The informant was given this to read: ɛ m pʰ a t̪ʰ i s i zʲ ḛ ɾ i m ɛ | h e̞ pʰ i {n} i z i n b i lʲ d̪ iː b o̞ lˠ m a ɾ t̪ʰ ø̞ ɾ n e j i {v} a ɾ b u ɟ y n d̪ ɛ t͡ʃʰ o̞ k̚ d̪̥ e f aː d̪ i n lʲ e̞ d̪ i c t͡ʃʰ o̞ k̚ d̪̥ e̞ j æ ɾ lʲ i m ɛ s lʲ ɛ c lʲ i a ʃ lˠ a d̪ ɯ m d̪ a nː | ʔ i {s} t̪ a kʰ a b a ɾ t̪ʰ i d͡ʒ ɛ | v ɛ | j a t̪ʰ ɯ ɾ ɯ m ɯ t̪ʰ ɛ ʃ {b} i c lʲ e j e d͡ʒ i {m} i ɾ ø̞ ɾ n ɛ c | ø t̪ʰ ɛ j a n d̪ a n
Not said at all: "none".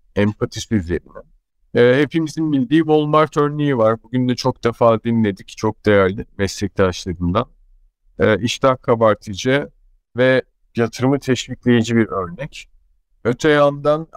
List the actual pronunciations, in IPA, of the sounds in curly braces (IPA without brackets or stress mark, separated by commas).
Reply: m, v, ʃ, v, b